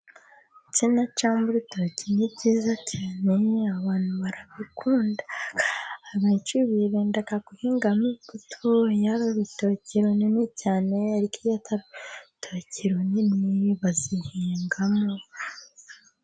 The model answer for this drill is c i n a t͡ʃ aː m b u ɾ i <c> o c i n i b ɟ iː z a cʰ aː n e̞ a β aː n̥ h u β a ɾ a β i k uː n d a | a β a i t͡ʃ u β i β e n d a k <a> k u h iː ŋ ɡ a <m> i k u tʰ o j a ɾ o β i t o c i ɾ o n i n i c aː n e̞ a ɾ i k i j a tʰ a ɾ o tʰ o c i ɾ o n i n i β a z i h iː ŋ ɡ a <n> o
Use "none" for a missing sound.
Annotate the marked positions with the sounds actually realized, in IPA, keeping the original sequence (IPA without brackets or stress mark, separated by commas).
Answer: t, a, m, m